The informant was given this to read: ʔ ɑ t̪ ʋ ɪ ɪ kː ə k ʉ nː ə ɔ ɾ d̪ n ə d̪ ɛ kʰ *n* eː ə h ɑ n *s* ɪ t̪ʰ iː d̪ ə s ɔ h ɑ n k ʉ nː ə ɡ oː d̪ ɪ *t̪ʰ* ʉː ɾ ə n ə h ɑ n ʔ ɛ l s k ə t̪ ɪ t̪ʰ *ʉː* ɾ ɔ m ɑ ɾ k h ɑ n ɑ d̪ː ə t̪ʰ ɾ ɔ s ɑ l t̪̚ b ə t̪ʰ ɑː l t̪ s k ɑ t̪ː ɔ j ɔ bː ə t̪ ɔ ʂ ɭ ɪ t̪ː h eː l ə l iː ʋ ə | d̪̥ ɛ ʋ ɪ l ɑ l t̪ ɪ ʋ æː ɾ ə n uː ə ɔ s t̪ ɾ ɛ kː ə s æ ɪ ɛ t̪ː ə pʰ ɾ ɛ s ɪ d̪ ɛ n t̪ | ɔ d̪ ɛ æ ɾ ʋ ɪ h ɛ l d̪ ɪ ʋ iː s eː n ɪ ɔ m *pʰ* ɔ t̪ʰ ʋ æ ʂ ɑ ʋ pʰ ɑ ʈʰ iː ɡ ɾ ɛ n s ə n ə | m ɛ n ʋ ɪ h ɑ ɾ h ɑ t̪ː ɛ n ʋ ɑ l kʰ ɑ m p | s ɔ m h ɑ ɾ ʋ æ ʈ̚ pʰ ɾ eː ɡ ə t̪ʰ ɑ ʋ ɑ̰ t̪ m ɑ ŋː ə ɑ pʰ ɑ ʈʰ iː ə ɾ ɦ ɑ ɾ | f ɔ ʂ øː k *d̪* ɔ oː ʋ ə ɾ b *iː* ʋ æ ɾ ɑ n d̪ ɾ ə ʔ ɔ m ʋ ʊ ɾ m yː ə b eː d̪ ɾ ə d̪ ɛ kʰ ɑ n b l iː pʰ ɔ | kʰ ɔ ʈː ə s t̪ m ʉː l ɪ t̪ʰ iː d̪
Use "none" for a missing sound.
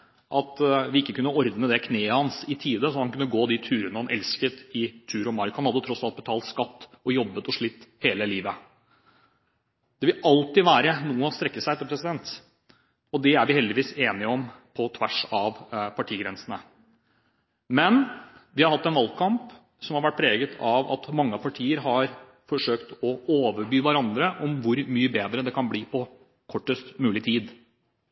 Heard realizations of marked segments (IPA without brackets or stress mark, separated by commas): n, s, t̪ʰ, ʉː, pʰ, t̪, yː